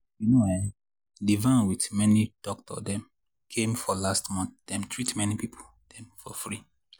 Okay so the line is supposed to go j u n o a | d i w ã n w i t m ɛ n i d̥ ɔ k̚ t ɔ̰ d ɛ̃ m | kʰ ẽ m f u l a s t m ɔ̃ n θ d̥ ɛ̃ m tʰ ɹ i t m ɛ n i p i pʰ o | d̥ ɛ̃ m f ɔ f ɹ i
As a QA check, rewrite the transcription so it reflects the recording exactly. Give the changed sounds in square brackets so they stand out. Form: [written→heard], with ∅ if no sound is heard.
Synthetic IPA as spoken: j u n o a | d i [w→v] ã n w i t m ɛ n i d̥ ɔ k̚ t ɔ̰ d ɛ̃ m | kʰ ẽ m f [u→ɔ] l a s t m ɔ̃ n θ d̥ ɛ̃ m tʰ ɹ i t m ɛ n i p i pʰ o | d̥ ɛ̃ m f ɔ f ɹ i